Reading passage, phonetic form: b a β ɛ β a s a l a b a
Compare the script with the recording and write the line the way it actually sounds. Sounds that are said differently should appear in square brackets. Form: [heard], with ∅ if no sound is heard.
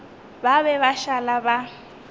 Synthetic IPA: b a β ɛ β a [ʃ] a l a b a